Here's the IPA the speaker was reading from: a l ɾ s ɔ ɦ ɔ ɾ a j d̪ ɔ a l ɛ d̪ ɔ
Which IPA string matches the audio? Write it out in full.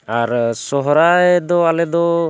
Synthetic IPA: a ɾ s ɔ ɦ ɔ ɾ a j d̪ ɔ a l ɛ d̪ ɔ